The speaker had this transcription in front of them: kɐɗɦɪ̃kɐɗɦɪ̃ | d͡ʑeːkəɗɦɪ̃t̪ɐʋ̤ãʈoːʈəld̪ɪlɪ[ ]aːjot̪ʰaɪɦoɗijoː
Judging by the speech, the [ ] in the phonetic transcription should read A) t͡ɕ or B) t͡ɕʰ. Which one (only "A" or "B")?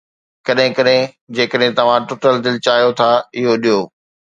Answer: A